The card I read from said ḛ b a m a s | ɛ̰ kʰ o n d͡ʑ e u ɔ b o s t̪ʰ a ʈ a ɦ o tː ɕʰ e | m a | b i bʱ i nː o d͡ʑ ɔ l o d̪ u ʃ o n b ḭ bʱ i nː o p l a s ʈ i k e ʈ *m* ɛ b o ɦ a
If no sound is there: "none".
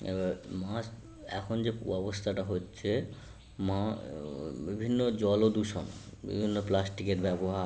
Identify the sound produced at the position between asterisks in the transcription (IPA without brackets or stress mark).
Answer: b